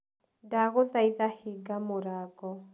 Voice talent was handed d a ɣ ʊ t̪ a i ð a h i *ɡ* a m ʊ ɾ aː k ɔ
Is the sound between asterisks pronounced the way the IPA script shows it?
yes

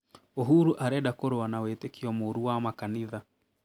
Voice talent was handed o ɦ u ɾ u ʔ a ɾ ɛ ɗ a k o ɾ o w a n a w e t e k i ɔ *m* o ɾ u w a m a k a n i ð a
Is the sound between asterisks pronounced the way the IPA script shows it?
yes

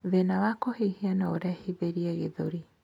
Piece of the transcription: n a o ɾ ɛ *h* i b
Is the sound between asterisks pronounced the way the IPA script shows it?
yes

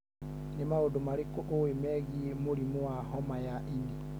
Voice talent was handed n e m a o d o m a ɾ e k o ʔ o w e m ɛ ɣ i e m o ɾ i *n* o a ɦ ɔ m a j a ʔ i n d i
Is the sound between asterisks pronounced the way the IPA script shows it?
no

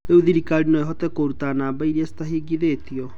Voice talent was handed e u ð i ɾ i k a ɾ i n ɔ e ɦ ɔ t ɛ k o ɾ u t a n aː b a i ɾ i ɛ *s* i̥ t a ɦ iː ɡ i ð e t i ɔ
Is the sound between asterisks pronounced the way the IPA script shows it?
yes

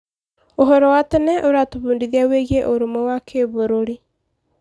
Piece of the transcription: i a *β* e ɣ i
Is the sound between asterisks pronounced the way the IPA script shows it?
no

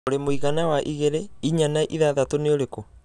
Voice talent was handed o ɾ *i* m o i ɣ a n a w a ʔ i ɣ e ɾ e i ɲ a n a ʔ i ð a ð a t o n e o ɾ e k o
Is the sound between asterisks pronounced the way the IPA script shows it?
no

